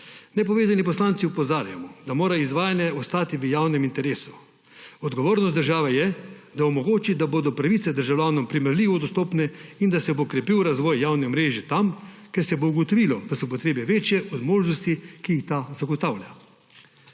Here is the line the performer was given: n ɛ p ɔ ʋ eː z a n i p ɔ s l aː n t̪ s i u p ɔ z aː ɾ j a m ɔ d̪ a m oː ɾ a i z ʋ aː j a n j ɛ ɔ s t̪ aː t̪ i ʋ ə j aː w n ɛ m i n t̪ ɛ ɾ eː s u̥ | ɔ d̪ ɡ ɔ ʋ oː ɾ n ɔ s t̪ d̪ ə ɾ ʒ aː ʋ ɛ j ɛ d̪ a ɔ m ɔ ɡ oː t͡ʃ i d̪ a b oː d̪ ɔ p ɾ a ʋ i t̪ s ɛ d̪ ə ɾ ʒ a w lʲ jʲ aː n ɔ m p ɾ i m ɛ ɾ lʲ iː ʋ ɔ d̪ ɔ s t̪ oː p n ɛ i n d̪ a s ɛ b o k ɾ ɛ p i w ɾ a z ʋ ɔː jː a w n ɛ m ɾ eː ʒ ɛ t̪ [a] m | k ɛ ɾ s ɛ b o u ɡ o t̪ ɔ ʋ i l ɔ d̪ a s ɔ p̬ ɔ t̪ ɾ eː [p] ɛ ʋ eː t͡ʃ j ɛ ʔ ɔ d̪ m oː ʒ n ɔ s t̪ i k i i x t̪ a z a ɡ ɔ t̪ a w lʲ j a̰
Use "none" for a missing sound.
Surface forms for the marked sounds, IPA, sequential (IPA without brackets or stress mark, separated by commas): a, b